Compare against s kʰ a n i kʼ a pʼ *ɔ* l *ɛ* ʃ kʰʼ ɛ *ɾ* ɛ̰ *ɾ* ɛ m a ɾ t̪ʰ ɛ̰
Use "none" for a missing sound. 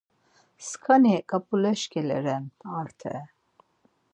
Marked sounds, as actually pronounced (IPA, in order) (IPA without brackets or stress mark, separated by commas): u, ɛ, l, ɾ